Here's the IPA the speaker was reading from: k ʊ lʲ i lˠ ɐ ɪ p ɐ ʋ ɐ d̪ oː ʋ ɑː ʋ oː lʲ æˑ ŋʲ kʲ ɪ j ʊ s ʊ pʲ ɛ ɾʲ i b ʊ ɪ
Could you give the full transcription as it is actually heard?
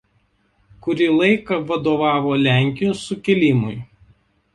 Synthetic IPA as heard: k ʊ ɾʲ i lˠ ɐ ɪ k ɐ ʋ ɐ d̪ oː ʋ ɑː ʋ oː lʲ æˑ ŋʲ kʲ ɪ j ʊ s ʊ kʲ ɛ lʲ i m ʊ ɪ